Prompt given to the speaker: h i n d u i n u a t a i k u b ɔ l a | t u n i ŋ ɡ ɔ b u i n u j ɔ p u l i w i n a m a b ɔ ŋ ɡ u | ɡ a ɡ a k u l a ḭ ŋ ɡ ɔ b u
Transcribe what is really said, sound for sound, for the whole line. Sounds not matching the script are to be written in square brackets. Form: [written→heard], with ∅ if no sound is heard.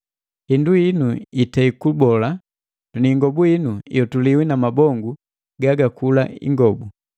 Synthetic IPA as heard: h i n d u i n u [a→i] t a i k u b ɔ l a | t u n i ŋ ɡ ɔ b u i n u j ɔ [p→t] u l i w i n a m a b ɔ ŋ ɡ u | ɡ a ɡ a k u l a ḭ ŋ ɡ ɔ b u